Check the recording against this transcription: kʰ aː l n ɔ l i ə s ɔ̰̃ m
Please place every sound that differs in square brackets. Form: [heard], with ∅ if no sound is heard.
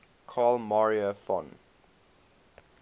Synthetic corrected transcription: kʰ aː l [m] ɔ [ɹ] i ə [f] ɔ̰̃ [n]